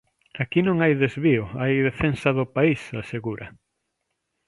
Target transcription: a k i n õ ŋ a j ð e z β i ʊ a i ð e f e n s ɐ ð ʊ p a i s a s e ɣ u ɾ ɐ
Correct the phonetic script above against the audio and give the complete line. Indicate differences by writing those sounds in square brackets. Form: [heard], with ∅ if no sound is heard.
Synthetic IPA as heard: a k i n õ ŋ a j ð e z β i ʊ a [j] ð e f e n s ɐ ð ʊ p a i s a s e ɣ u ɾ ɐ